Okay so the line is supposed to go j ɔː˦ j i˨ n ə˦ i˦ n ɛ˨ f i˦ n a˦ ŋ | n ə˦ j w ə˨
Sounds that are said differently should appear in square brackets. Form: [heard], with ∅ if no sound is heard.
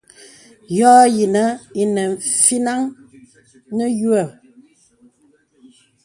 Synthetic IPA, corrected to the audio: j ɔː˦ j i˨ n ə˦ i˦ n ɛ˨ f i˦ n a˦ ŋ | n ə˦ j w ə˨